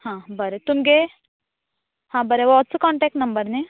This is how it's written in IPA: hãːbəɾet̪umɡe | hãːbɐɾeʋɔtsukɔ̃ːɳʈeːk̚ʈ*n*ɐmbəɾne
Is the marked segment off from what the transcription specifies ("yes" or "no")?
no